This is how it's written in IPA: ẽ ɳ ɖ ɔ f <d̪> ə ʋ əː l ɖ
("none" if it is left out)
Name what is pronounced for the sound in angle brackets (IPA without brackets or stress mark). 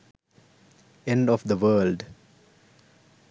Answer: d̪